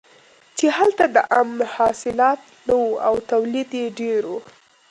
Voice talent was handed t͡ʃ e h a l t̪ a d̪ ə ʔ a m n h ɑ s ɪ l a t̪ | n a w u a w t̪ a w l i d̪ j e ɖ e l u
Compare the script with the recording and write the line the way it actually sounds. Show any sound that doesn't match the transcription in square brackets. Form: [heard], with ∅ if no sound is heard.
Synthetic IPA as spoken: t͡ʃ e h a l t̪ a d̪ ə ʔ a m n h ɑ s ɪ l [ɑ] t̪ | n a w u a w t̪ a w l i d̪ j e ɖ e [ɾ] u

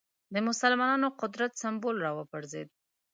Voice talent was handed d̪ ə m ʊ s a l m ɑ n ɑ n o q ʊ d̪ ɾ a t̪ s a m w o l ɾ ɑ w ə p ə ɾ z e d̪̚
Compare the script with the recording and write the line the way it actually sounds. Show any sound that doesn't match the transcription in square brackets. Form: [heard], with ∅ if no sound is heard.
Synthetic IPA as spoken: d̪ ə m ʊ s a l m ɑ n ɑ n o q ʊ d̪ ɾ a t̪ s a m [b] o l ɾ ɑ w ə p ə ɾ z e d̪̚

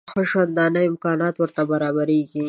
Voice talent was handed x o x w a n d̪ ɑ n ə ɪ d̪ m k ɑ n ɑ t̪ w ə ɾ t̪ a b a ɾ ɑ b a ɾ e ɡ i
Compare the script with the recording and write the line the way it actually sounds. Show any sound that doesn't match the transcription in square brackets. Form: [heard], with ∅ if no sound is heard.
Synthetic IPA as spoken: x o [ʃ] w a n d̪ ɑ n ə ɪ [∅] m k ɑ n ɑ t̪ w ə ɾ t̪ a b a ɾ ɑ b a ɾ e ɡ i

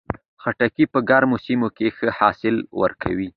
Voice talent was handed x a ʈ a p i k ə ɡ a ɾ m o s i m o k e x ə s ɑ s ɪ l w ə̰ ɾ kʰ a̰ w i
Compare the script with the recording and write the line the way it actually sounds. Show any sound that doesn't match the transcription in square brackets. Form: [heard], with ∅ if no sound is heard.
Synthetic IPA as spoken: x a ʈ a [k] i [p] ə ɡ a ɾ m o s i m o k e x ə [h] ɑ s ɪ l w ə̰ ɾ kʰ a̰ w i

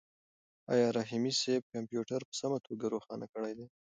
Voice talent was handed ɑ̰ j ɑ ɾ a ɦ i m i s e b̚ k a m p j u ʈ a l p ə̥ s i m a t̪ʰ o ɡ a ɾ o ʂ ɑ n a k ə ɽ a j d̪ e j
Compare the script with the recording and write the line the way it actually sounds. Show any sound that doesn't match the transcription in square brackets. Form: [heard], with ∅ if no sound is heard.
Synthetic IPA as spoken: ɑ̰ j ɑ ɾ a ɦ i m i s e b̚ k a m p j u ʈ a [ɾ] p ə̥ s [a] m a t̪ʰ o ɡ a ɾ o [x] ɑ n a k ə ɽ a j d̪ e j

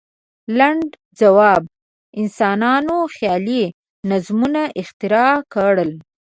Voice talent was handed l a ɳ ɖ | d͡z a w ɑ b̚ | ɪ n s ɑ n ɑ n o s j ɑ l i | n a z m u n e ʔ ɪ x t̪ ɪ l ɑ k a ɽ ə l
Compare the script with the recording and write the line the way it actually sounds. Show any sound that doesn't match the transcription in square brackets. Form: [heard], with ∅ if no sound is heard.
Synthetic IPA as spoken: l a ɳ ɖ | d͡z a w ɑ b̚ | ɪ n s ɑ n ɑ n o [x] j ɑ l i | n a z m u n [a] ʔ ɪ x t̪ ɪ [ɾ] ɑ k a ɽ ə l

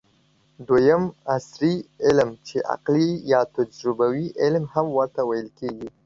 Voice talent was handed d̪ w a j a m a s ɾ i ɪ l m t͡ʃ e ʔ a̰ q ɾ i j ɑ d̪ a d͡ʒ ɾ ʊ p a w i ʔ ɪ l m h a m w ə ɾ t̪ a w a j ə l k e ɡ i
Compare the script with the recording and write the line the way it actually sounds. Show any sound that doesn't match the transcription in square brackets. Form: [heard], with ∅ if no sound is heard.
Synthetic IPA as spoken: d̪ w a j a m a s ɾ i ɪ l m t͡ʃ e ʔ a̰ q [l] i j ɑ [t̪] a d͡ʒ ɾ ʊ [b] a w i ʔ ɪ l m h a m w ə ɾ t̪ a w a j ə l k e ɡ i

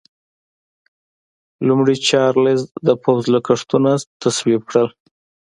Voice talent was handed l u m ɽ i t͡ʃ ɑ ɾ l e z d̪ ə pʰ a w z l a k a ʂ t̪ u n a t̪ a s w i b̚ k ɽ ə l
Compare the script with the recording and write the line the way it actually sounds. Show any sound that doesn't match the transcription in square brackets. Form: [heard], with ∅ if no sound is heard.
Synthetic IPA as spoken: l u m ɽ i t͡ʃ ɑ ɾ l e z d̪ ə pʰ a w z l a k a ʂ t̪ u n a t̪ a s w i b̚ k ɽ ə l

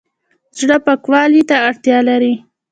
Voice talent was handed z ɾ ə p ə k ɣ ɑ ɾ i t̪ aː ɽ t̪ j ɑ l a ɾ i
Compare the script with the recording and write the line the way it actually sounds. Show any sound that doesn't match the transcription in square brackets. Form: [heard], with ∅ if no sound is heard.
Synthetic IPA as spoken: z [ɽ] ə p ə k [w] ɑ [l] i t̪ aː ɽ t̪ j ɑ l a ɾ i

